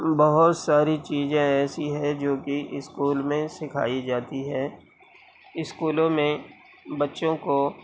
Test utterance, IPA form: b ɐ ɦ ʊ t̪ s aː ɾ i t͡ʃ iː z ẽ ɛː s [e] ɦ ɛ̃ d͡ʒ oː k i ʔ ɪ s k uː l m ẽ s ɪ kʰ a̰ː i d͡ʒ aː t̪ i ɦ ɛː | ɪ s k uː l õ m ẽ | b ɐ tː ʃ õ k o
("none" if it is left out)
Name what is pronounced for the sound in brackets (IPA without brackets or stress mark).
i